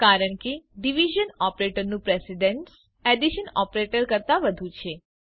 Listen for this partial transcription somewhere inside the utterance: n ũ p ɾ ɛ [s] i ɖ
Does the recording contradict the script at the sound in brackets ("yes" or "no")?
no